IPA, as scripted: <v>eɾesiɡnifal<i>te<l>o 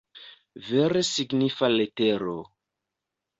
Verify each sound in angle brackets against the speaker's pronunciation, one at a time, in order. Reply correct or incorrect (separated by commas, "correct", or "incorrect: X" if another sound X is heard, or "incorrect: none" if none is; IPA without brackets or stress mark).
correct, incorrect: e, incorrect: ɾ